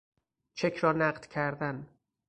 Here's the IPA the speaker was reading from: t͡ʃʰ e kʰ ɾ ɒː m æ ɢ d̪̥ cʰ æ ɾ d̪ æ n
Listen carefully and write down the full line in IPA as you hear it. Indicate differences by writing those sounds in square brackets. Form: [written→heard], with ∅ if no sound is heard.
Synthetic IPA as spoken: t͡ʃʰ e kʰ ɾ ɒː [m→n] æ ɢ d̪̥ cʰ æ ɾ d̪ æ n